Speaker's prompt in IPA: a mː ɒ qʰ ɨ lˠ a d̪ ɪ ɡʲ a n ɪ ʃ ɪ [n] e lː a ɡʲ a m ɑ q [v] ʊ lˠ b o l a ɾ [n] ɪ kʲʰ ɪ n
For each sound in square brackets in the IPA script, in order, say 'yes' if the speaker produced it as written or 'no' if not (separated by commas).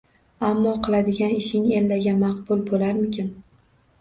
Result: no, no, no